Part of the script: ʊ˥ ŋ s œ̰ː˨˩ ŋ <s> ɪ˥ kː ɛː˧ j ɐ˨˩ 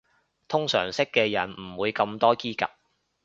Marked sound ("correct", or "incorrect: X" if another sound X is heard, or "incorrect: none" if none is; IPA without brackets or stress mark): correct